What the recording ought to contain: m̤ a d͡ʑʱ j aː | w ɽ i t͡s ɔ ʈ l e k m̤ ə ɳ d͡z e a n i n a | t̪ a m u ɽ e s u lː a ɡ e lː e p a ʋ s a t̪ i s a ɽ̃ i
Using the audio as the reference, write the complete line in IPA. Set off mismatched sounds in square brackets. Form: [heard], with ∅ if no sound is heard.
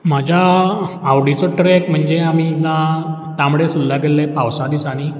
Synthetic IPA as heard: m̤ a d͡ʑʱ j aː | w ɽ i t͡s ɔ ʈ [ɾ] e k m̤ ə ɳ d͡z e a [m] i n a | t̪ a m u ɽ e s u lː a ɡ e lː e p a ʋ s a [d̪] i s a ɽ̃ i